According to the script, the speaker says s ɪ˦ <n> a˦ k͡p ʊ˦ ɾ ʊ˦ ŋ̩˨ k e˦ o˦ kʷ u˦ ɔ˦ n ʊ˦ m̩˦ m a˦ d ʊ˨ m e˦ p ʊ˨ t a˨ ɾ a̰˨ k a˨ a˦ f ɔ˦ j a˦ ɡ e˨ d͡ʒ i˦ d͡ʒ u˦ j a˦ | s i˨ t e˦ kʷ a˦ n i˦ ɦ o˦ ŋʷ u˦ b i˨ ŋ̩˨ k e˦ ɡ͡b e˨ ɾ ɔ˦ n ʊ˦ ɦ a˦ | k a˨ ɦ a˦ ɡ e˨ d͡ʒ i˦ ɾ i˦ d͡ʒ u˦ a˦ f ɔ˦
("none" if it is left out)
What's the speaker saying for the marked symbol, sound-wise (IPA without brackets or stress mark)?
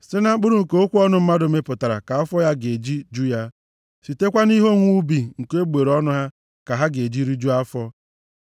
n